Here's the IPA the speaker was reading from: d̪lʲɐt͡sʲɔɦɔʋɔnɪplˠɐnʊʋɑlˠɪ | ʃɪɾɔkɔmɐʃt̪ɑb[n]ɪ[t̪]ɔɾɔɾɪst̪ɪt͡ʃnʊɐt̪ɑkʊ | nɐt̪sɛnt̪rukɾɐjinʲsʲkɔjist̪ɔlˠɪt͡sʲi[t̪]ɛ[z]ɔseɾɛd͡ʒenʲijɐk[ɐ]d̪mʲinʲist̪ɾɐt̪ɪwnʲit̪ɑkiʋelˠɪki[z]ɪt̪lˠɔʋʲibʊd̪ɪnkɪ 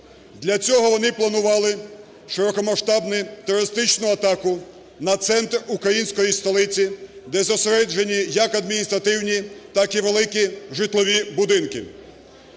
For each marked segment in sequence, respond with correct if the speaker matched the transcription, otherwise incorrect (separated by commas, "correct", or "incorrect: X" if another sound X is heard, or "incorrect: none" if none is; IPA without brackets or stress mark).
correct, correct, incorrect: d̪, correct, correct, incorrect: ʒ